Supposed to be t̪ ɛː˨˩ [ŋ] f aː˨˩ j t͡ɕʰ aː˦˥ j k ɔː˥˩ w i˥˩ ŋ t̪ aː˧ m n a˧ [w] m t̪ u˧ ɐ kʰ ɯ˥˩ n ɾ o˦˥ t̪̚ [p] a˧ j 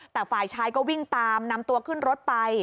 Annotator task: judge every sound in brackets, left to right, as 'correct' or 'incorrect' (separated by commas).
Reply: incorrect, incorrect, correct